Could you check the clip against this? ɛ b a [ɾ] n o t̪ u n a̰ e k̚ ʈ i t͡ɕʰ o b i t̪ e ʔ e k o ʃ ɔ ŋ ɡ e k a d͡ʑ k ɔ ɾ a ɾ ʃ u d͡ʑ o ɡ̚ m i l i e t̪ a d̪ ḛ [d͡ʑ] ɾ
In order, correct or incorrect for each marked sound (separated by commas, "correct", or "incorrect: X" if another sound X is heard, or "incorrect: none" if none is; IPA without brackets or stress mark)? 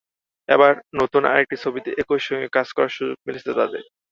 correct, incorrect: none